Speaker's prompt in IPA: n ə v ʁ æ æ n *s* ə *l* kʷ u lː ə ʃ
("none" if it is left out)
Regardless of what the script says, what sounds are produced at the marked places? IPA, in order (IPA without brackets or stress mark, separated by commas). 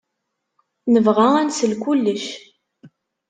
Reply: s, l